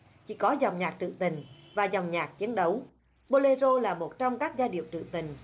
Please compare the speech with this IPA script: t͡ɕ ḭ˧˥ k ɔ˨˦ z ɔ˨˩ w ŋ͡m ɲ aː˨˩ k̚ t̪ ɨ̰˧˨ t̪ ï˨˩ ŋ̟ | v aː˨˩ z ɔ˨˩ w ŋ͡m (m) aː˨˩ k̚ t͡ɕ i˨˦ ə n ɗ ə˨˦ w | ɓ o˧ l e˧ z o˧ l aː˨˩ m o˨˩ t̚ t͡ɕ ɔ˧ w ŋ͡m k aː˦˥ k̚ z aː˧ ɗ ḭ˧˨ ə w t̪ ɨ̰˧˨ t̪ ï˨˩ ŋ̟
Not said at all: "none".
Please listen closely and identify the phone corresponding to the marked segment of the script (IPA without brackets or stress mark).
ɲ